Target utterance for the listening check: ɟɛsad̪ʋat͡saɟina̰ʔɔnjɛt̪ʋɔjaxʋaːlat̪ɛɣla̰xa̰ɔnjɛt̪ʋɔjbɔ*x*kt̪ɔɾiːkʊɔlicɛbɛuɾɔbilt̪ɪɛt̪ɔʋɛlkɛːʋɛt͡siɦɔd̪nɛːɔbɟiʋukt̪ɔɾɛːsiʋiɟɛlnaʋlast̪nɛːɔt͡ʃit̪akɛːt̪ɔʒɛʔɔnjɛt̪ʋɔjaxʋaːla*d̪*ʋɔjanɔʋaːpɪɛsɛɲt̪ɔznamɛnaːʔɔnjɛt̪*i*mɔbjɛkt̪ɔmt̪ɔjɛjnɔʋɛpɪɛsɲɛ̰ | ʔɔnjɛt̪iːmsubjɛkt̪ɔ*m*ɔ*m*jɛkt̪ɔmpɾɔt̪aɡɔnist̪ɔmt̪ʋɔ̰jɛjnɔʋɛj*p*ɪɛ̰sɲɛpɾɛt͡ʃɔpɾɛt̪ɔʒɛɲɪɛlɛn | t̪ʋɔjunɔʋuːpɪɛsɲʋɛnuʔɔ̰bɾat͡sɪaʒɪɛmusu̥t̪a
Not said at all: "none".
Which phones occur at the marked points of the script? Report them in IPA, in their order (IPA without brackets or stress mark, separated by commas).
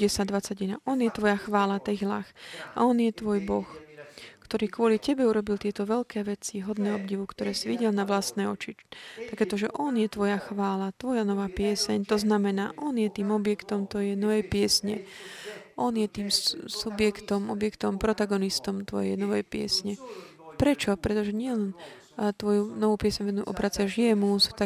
x, t̪, iː, m, b, p